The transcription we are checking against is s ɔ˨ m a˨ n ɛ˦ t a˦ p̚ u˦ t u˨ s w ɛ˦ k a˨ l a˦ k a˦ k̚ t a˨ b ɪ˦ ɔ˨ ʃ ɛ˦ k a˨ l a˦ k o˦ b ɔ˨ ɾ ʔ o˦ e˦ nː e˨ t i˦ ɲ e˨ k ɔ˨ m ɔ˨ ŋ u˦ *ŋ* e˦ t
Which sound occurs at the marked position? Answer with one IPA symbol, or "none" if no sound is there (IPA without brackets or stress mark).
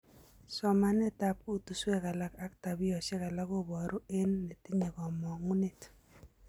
n